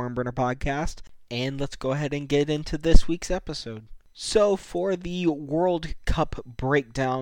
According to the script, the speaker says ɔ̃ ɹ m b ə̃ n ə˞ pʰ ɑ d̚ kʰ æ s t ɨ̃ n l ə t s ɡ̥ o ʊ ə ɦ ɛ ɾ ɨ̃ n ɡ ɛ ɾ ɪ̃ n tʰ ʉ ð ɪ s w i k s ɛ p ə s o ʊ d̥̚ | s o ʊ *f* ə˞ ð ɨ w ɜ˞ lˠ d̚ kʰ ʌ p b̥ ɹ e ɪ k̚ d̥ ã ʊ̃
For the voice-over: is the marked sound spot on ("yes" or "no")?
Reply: yes